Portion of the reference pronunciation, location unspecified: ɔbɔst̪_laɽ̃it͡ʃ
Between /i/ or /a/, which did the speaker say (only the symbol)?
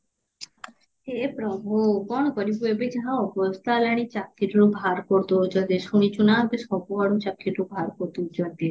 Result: a